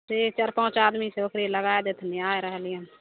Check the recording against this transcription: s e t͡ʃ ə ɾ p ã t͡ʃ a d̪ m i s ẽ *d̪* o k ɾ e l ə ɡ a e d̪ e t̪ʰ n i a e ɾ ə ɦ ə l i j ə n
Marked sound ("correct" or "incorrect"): incorrect